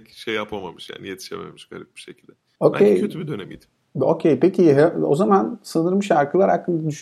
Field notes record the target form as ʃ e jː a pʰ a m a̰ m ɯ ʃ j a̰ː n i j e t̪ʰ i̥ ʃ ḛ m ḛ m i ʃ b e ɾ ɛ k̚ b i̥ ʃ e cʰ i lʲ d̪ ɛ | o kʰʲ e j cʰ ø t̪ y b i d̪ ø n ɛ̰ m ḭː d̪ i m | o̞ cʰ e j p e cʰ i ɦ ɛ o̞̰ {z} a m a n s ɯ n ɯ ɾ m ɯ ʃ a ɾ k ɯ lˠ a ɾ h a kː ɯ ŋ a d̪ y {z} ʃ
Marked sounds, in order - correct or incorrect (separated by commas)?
correct, incorrect